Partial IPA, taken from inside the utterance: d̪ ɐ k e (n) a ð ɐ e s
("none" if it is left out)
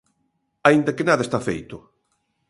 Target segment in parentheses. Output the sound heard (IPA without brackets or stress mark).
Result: n